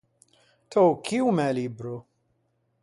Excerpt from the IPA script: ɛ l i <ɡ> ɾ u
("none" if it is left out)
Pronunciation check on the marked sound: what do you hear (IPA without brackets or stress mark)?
b